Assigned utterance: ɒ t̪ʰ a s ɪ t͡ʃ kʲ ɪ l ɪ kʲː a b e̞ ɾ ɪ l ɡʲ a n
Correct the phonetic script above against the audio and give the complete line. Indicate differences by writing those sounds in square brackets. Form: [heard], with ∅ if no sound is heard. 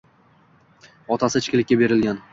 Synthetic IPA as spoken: ɒ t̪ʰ a s ɪ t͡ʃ kʲ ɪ l ɪ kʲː a b e̞ ɾ ɪ l ɡʲ a n